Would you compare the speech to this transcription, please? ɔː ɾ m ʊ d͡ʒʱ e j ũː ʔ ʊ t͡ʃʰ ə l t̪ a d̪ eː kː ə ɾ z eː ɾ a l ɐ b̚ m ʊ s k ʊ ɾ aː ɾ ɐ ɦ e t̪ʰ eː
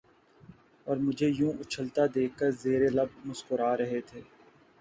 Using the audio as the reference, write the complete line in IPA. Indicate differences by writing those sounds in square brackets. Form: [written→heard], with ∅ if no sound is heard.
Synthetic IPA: ɔː ɾ m ʊ d͡ʒʱ e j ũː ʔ ʊ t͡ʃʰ ə l t̪ a d̪ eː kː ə ɾ z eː ɾ [a→e] l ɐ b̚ m ʊ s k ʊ ɾ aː ɾ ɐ ɦ e t̪ʰ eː